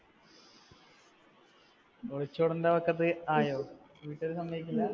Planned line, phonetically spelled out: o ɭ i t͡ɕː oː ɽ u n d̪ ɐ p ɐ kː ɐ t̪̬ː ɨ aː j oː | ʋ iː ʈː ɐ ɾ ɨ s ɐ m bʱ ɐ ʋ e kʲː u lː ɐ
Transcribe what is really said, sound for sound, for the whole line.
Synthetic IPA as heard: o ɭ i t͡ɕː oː ɽ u n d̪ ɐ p ɐ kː ɐ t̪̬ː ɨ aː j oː | ʋ iː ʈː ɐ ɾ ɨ s ɐ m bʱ ɐ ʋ i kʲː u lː ɐ